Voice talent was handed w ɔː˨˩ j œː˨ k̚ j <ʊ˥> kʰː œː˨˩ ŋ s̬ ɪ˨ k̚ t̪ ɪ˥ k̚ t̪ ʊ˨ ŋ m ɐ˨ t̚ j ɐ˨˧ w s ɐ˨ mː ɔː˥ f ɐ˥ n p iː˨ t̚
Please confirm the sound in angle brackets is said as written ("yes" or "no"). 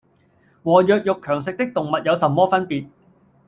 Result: no